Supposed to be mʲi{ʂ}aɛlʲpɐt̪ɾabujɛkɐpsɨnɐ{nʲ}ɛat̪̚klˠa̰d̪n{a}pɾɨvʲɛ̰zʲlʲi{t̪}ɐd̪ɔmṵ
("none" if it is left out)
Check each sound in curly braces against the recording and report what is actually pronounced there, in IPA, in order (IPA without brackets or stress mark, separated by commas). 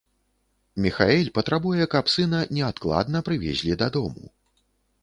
x, nʲ, ɐ, d̪